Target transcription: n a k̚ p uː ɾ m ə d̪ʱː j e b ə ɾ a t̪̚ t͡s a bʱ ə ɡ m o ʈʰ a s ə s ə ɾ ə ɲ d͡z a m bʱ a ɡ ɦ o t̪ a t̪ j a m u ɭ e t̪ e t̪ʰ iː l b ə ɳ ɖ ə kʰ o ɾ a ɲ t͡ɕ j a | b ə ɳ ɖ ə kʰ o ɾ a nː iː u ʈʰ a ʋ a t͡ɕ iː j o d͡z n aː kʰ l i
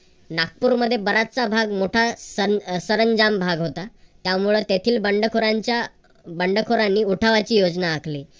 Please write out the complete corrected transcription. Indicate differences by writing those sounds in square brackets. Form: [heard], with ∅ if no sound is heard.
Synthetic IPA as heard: n a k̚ p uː ɾ m ə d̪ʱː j e b ə ɾ a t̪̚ t͡s a bʱ [a] ɡ m o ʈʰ a s ə s ə ɾ ə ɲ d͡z a m bʱ a ɡ ɦ o t̪ a t̪ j a m u ɭ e t̪ e t̪ʰ iː l b ə ɳ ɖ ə kʰ o ɾ a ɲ t͡ɕ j a | b ə ɳ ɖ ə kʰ o ɾ a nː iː u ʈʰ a ʋ a t͡ɕ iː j o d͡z n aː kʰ l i

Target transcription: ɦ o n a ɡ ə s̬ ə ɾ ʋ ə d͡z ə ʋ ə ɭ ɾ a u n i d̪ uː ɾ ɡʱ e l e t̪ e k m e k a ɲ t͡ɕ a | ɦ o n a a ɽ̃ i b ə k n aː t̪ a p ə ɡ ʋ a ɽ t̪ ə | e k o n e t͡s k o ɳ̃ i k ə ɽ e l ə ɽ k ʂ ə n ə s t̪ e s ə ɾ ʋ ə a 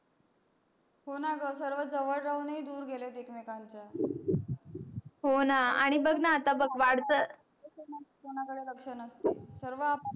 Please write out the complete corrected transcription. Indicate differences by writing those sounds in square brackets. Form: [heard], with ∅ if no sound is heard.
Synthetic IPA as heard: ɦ o n a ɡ ə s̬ ə ɾ ʋ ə d͡z ə ʋ ə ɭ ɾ a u n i d̪ uː ɾ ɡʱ e l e t̪ e k m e k a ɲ t͡ɕ a | ɦ o n a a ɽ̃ i b ə [ɡ] n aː t̪ a [b] ə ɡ ʋ a ɽ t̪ ə | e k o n [a] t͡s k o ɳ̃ [a] k ə ɽ e l ə [∅] k ʂ ə n ə s t̪ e s ə ɾ ʋ ə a

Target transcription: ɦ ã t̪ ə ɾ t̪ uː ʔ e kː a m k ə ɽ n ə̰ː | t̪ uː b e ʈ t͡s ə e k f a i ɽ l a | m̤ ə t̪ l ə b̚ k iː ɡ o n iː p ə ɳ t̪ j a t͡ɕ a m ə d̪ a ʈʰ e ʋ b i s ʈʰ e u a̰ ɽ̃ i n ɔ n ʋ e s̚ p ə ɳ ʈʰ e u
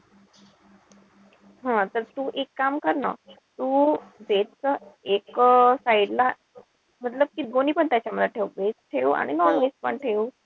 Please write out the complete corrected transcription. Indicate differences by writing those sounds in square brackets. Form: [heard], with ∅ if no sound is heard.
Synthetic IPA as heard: ɦ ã t̪ ə ɾ t̪ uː ʔ e kː a m k ə [ɾ] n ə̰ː | t̪ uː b e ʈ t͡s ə e k [s] a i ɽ l a | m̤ ə t̪ l ə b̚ k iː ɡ o n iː p ə ɳ t̪ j a t͡ɕ a m ə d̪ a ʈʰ e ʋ b [e] s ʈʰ e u a̰ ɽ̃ i n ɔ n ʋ e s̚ p ə ɳ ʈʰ e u

